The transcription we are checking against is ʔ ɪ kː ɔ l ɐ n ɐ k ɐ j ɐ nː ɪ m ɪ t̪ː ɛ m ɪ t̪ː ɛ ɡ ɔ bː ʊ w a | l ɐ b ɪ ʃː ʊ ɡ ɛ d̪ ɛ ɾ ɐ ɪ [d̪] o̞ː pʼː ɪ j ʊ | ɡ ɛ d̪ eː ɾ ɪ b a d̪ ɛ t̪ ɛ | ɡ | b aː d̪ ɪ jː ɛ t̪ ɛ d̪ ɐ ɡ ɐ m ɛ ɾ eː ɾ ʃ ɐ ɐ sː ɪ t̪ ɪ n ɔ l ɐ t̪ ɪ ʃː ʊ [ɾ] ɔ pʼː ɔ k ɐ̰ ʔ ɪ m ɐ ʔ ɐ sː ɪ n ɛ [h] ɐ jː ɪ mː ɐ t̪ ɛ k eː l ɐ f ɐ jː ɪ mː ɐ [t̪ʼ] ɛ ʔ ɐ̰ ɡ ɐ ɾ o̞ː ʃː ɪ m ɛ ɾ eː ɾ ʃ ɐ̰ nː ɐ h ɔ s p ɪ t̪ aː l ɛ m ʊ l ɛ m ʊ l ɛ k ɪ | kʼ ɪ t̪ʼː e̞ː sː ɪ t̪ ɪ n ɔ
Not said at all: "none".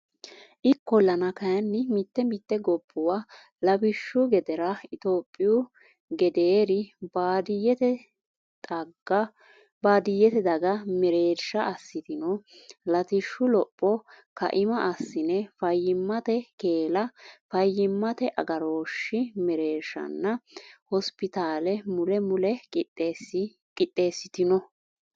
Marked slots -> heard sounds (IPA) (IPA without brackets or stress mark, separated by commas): t̪, l, f, t̪